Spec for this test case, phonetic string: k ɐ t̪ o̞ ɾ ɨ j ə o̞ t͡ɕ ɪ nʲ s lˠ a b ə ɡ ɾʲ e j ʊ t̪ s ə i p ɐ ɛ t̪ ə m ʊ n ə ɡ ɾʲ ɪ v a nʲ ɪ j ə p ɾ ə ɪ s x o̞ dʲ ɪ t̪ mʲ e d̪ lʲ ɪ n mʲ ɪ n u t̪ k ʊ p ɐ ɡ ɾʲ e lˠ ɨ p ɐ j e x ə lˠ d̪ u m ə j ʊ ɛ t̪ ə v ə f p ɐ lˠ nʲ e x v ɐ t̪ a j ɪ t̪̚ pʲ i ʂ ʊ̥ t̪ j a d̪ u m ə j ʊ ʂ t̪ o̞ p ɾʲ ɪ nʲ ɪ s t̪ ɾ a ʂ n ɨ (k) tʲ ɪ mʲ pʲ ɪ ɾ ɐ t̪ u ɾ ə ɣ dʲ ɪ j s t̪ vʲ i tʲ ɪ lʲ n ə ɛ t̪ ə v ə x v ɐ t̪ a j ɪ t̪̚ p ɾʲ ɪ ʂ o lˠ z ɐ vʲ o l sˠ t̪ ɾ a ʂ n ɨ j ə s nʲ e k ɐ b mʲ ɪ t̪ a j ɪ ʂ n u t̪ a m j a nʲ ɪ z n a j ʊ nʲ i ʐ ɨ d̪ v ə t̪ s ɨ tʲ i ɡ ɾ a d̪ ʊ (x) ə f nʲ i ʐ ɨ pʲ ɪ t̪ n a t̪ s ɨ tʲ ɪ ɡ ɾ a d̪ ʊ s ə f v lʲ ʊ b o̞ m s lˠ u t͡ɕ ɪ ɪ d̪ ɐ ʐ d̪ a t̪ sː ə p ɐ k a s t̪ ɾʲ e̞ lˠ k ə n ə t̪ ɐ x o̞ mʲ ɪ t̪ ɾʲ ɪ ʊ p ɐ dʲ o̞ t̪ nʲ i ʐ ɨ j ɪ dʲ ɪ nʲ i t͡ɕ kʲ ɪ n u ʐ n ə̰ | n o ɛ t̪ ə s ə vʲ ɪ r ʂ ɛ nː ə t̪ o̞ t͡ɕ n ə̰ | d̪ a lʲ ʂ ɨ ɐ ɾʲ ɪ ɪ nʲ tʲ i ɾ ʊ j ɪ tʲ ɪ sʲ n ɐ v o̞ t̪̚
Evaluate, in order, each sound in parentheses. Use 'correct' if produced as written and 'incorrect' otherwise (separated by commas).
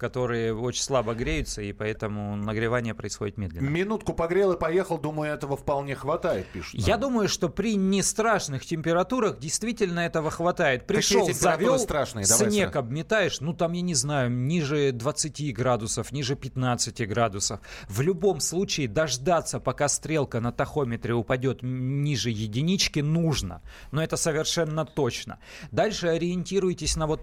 incorrect, incorrect